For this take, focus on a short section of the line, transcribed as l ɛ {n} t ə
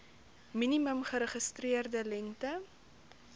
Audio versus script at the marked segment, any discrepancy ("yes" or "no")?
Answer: yes